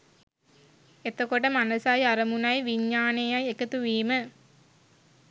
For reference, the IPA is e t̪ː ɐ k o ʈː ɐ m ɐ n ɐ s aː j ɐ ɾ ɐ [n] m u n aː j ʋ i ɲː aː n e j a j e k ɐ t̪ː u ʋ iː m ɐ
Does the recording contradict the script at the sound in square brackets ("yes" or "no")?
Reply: yes